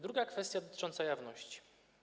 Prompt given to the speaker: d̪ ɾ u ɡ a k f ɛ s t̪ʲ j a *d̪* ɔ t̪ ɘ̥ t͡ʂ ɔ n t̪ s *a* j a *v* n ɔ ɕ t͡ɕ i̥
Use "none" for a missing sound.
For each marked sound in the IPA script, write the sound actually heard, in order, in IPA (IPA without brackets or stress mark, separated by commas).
d̪, a, v